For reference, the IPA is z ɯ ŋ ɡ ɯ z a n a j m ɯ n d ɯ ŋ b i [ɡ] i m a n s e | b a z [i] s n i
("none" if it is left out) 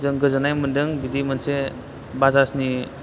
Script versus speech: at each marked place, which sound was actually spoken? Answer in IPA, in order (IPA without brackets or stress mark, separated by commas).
d, a